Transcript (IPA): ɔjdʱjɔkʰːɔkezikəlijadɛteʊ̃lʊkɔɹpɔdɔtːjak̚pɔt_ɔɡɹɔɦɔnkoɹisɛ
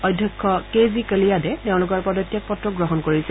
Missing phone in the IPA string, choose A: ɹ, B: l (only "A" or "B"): A